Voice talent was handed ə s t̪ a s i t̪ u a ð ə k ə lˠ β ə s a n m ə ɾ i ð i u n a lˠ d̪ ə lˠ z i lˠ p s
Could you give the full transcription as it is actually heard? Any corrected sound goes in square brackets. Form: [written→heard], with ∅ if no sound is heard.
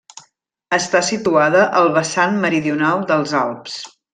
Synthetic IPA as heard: ə s t̪ a s i t̪ u a ð ə [k→ʔ] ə lˠ β ə s a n m ə ɾ i ð i u n a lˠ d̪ ə lˠ z [i→a] lˠ p s